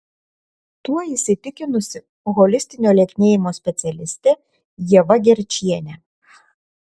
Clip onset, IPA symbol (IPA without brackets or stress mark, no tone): t̪